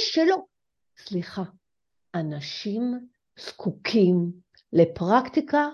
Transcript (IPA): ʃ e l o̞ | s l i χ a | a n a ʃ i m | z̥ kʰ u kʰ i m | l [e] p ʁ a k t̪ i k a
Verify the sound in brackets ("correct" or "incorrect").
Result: correct